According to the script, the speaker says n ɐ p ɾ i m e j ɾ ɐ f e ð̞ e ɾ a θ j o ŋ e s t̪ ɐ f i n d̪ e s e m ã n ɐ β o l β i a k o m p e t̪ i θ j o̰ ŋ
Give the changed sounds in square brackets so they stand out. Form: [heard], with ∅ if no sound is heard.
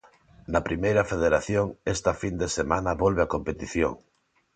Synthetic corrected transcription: n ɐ p ɾ i m e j ɾ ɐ f e ð̞ e ɾ a θ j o ŋ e s t̪ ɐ f i n d̪ e s e m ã n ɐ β o l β [e] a k o m p e t̪ i θ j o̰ ŋ